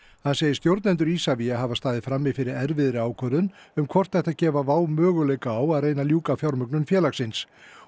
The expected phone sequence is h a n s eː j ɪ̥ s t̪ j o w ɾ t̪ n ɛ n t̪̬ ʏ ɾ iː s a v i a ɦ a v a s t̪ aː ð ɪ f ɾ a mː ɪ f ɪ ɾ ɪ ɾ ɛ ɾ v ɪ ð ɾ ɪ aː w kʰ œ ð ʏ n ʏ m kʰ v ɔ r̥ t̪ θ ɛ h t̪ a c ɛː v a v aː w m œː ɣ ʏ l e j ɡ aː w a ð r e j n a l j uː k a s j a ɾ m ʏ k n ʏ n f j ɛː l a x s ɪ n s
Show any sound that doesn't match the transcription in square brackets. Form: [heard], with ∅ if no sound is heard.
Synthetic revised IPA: h a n s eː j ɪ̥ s t̪ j o w ɾ t̪ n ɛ n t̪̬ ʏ ɾ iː s a v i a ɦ a v a s t̪ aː ð ɪ f ɾ a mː ɪ f ɪ ɾ ɪ ɾ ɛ ɾ v ɪ ð ɾ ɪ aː w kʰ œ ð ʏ n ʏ m kʰ v ɔ r̥ t̪ θ ɛ h t̪ a c ɛː v a v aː w m œː ɣ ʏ l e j [k] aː w a ð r e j n a l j uː k a [f] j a ɾ m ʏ k n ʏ n f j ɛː l a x s ɪ n s